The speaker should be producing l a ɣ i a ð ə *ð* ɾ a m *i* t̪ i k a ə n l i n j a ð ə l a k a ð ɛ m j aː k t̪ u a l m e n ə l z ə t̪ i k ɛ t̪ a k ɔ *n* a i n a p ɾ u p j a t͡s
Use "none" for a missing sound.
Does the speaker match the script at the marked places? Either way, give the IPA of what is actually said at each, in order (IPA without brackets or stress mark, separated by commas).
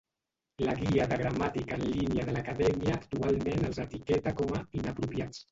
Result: ɣ, a, m